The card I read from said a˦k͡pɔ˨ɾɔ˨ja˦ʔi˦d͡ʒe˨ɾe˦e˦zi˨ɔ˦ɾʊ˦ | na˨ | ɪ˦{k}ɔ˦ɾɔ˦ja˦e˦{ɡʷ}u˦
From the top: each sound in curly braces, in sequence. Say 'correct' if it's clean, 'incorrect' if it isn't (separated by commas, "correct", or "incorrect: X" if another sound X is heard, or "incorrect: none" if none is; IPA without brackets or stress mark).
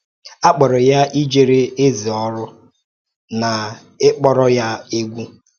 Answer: incorrect: k͡p, correct